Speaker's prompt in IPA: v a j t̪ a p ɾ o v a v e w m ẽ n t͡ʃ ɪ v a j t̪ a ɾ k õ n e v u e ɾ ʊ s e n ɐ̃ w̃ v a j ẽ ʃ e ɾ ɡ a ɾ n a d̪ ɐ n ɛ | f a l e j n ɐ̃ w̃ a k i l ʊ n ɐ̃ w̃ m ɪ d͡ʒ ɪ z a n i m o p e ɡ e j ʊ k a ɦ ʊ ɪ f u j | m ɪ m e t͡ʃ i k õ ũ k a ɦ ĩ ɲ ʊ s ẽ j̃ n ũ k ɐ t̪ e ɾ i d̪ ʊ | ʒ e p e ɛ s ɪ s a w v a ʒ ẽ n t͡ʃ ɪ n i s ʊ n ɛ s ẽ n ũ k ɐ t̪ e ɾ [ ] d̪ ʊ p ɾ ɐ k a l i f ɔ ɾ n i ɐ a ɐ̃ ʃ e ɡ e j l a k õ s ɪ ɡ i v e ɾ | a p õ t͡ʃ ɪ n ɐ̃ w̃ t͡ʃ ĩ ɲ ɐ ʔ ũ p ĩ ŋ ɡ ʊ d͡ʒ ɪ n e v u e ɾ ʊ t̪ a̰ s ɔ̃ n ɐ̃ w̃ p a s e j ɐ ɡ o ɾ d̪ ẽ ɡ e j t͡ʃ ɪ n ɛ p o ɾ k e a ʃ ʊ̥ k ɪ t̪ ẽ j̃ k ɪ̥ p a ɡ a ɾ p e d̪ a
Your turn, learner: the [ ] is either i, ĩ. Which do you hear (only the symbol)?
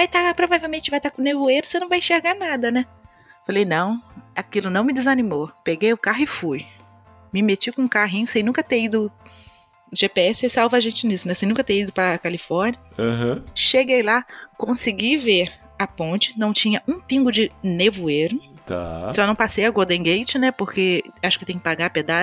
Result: i